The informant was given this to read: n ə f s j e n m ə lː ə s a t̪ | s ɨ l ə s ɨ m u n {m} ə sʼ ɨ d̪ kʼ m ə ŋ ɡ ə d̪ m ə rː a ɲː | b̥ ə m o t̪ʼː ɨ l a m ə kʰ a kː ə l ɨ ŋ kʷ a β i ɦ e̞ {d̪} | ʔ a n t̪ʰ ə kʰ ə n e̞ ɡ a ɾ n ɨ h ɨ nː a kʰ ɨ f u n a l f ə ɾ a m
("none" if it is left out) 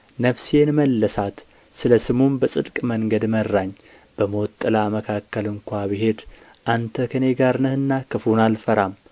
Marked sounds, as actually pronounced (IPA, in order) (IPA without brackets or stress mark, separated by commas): b, d̪